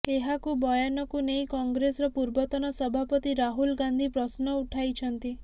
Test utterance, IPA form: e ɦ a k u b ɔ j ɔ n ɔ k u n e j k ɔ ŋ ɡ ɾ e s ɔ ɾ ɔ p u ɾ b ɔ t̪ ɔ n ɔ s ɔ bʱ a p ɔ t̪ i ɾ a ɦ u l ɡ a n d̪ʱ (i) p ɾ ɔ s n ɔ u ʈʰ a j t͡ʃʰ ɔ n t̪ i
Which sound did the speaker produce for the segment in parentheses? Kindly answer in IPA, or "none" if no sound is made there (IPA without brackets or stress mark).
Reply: i